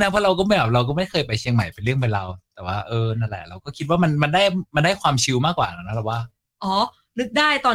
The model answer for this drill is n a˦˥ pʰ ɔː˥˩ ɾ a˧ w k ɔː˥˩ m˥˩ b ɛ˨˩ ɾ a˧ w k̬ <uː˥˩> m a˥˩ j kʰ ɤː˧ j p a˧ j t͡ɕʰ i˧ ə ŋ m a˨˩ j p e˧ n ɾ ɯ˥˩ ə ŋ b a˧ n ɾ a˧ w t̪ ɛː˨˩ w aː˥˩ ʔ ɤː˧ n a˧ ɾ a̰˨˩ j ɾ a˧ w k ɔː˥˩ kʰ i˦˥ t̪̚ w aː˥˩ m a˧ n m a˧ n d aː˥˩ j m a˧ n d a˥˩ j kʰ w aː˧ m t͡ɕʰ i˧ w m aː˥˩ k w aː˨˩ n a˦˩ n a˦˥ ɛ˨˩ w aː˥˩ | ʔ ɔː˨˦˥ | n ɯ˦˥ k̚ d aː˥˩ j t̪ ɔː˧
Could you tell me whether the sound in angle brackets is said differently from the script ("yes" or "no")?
yes